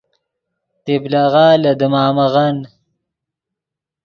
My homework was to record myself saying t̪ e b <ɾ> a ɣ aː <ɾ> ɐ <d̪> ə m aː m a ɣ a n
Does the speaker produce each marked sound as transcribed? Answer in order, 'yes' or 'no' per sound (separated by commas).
no, no, yes